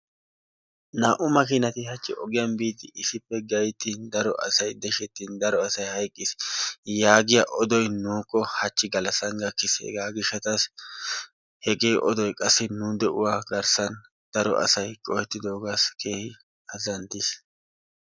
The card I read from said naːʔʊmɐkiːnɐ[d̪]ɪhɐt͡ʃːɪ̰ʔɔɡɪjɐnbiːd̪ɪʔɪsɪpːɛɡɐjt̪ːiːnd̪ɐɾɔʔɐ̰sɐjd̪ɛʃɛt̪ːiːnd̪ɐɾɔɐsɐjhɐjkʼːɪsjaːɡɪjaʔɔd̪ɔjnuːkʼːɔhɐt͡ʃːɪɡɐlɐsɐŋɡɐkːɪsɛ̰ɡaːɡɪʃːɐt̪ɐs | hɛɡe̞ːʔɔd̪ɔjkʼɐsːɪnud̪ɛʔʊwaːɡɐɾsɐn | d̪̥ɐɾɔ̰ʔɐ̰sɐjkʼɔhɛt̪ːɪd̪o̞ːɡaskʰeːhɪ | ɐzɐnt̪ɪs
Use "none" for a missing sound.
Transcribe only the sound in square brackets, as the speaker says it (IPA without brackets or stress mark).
t̪